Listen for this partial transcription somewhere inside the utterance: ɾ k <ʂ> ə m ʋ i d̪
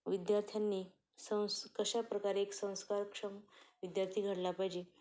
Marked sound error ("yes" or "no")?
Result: no